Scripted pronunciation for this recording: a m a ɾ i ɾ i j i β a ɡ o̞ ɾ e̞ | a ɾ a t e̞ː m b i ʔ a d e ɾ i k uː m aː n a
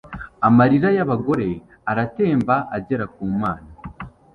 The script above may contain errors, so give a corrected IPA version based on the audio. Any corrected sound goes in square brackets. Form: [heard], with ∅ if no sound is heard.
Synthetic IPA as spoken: a m a ɾ i ɾ [a] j [a] β a ɡ o̞ ɾ e̞ | a ɾ a t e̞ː m b [a] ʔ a [ɟ] e ɾ [a] k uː m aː n a